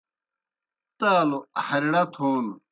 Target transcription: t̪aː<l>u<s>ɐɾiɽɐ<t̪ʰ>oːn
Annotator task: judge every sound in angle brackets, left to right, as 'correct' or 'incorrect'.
correct, incorrect: h, correct

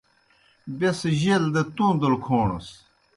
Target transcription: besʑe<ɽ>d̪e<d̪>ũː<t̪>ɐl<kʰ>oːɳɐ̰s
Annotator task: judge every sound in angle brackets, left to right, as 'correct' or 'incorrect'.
incorrect: l, incorrect: t̪, incorrect: d̪, correct

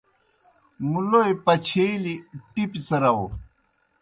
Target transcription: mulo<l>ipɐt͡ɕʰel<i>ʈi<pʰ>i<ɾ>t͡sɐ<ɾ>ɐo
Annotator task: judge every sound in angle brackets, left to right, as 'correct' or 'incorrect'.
incorrect: none, correct, incorrect: p, incorrect: none, correct

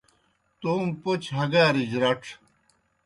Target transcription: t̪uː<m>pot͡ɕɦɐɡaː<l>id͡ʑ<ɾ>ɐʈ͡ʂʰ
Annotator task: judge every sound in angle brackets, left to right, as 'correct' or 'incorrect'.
correct, incorrect: ɾ, correct

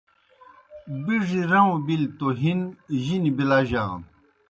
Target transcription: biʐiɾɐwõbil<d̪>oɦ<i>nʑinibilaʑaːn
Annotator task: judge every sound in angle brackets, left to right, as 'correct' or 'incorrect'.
incorrect: t̪, correct

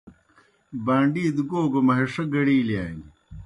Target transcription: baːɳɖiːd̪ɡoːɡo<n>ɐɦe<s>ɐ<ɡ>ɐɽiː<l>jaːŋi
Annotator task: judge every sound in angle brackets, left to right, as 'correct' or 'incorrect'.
incorrect: m, incorrect: ʂ, correct, correct

